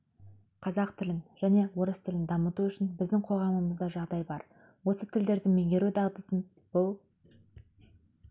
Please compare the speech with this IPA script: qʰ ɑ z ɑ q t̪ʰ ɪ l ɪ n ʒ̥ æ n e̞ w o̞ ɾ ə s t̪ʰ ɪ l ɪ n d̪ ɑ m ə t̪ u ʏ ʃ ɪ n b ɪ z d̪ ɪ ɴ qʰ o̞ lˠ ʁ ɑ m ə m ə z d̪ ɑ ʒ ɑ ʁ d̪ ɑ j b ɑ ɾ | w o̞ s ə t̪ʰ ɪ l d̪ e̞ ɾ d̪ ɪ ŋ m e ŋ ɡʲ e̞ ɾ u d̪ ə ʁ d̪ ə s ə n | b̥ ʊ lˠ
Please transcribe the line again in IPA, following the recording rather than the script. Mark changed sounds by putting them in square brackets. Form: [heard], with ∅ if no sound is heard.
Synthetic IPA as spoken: qʰ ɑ z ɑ q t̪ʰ ɪ l ɪ n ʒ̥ æ n e̞ w o̞ ɾ ə s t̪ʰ ɪ l ɪ n d̪ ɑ m ə t̪ u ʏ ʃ ɪ n b ɪ z d̪ ɪ [ŋ] qʰ o̞ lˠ ʁ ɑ m ə m ə z d̪ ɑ ʒ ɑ ʁ d̪ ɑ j b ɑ ɾ | w o̞ s ə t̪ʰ ɪ l d̪ e̞ ɾ d̪ ɪ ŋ m e ŋ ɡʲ e̞ ɾ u d̪ [ɑ] ʁ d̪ ə s ə n | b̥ ʊ lˠ